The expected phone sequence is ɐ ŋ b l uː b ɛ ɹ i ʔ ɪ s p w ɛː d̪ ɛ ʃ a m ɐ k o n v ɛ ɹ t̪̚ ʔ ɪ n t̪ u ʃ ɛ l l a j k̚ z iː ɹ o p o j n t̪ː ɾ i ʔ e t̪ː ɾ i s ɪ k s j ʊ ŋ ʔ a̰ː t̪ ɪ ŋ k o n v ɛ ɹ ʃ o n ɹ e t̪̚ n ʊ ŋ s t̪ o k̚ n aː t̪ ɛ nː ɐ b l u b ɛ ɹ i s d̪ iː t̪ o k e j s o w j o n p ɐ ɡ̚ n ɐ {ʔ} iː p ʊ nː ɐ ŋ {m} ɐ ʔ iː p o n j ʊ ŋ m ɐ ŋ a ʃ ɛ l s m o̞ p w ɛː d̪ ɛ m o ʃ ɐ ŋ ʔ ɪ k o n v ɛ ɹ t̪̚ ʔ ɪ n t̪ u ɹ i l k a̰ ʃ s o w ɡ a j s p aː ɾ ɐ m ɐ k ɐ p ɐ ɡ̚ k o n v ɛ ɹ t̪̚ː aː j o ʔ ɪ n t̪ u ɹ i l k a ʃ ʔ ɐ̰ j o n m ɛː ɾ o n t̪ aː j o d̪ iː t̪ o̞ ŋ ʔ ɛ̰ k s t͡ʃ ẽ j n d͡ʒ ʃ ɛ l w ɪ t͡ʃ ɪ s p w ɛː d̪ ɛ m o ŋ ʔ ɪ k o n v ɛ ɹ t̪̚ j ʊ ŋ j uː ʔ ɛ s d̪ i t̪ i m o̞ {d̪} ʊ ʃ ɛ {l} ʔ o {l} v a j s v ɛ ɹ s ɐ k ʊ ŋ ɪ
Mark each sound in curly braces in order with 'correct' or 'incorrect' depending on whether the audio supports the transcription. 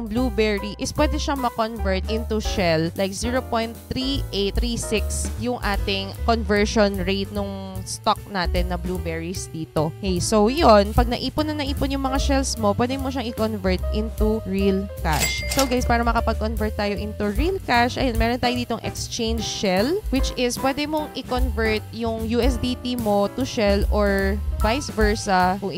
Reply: correct, incorrect: n, incorrect: t̪, correct, incorrect: ɹ

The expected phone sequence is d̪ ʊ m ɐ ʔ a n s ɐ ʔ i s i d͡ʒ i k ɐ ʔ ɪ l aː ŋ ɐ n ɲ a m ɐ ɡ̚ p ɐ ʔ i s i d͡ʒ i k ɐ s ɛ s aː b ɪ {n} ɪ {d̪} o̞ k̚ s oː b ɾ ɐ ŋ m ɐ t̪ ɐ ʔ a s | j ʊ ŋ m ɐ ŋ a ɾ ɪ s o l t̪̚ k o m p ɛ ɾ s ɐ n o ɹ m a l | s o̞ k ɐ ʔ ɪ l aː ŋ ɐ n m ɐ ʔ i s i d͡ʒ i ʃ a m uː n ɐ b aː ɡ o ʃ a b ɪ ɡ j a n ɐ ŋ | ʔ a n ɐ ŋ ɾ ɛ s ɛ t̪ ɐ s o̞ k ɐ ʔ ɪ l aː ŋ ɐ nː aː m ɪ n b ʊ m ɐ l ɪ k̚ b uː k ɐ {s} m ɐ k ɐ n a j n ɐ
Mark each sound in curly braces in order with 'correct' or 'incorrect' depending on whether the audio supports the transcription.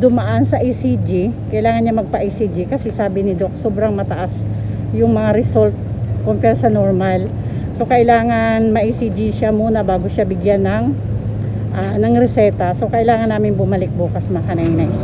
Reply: correct, correct, correct

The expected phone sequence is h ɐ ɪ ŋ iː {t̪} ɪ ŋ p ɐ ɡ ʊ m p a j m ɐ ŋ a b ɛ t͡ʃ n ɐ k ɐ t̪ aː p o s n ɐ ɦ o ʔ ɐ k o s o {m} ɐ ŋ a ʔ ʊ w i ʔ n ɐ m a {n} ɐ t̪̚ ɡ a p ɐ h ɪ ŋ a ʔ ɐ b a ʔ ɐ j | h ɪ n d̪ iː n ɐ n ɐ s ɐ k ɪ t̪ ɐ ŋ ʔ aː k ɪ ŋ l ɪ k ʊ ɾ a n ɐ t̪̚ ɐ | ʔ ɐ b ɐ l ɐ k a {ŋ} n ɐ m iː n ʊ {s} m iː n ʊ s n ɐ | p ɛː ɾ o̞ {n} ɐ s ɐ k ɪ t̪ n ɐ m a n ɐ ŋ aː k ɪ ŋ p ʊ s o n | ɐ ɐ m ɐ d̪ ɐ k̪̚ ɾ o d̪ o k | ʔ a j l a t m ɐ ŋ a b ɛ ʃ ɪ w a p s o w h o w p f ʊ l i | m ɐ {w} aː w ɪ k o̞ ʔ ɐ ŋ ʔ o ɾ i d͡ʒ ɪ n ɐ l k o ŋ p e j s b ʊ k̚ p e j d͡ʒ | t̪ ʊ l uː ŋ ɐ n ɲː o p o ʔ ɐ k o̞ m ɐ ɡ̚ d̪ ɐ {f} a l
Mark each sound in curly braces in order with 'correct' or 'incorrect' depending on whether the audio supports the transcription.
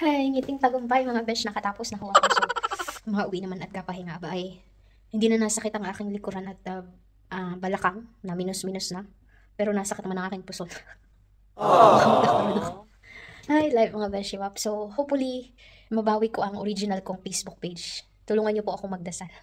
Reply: correct, correct, correct, correct, correct, correct, incorrect: b, incorrect: s

